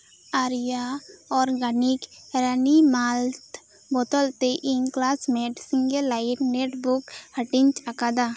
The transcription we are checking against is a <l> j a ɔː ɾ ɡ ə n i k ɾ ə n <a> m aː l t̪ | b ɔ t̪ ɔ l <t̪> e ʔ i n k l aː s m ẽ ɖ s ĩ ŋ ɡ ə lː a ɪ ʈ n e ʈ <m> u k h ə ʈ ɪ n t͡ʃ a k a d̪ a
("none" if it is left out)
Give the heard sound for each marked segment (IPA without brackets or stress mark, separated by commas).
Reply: ɾ, i, t̪, b